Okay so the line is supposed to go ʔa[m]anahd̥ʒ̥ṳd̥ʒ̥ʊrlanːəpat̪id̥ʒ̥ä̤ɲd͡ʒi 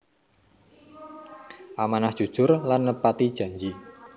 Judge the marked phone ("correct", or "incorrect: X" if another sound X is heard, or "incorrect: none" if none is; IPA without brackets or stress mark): correct